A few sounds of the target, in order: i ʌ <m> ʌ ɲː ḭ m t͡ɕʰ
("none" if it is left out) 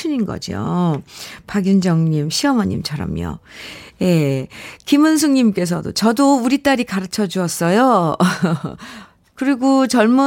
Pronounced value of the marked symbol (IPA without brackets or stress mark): m